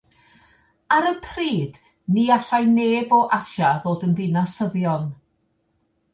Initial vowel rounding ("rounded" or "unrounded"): unrounded